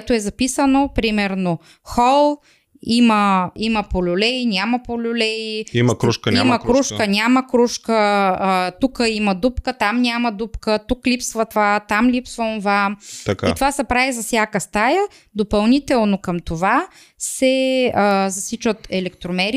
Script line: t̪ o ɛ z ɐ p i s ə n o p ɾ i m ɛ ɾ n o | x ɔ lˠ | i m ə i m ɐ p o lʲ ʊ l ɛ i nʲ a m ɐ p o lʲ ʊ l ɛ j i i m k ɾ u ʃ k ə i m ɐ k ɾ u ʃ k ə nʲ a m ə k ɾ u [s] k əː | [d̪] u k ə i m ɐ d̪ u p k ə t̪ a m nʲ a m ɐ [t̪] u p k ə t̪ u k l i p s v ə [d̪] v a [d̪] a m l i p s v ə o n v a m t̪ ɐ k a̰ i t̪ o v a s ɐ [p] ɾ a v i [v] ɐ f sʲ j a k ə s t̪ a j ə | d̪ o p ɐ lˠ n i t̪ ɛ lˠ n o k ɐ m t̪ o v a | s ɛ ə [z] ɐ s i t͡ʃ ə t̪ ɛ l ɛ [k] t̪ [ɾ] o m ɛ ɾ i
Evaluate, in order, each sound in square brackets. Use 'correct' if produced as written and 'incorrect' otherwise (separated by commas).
incorrect, incorrect, incorrect, incorrect, incorrect, correct, incorrect, correct, correct, correct